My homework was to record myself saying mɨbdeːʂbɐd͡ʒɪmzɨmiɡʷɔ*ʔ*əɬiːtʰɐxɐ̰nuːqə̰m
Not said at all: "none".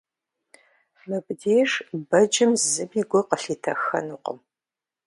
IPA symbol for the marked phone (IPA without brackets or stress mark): q